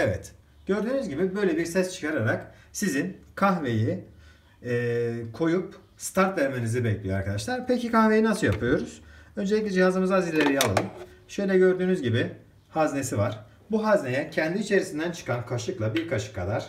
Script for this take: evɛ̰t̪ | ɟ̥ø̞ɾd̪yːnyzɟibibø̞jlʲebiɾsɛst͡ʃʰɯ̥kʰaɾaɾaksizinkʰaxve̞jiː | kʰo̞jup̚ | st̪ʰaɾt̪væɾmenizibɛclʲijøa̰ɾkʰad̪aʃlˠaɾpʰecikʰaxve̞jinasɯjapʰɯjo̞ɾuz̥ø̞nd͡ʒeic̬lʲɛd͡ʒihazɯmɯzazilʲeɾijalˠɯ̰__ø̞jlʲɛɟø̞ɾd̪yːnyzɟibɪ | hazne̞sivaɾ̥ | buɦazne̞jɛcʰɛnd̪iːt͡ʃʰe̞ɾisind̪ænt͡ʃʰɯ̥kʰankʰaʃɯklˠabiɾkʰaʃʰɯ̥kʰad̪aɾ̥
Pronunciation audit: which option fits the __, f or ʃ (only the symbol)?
ʃ